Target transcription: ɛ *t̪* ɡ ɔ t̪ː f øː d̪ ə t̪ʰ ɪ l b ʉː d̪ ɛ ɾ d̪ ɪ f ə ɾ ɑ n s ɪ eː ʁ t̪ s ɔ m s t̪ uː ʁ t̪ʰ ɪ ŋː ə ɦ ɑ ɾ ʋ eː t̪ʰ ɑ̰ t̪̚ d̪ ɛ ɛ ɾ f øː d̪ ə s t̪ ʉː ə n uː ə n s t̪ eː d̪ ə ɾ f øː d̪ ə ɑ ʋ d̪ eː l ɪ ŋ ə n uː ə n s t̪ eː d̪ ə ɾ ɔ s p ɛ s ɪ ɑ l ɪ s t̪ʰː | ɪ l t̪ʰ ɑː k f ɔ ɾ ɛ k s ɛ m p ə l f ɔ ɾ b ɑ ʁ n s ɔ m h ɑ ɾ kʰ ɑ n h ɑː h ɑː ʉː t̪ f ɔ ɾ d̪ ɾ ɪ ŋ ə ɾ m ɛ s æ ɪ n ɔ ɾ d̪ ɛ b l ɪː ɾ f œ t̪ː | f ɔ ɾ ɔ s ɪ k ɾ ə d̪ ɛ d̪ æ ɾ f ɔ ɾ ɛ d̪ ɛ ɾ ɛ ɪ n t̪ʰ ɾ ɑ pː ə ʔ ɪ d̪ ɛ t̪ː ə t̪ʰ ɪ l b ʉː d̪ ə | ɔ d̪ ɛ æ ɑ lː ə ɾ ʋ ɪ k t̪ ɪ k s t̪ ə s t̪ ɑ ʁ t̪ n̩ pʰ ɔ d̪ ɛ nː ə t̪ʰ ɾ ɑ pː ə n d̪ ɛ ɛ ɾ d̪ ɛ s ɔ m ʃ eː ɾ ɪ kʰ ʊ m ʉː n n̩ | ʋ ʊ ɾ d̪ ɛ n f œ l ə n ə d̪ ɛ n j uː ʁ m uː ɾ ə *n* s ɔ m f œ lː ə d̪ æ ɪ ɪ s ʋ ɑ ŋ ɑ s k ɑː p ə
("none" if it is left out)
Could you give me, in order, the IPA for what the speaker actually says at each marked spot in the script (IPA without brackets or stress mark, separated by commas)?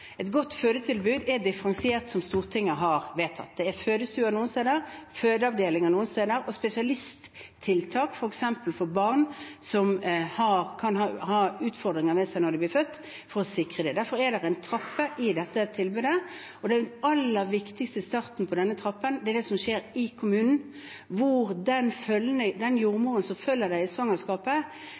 t̪, n